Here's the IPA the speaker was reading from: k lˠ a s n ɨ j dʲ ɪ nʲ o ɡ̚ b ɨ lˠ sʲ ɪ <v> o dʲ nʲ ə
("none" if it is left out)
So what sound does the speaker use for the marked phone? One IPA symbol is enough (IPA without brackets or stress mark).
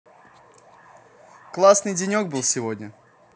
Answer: v